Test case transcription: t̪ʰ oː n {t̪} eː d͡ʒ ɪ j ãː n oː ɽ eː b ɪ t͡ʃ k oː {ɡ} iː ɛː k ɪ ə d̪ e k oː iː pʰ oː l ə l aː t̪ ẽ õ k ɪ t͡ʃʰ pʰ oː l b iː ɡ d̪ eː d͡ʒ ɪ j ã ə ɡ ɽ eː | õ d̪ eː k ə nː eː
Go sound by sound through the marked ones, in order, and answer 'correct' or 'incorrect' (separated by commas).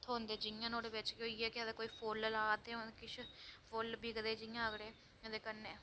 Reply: incorrect, incorrect